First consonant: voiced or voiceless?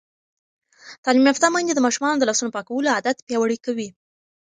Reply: voiceless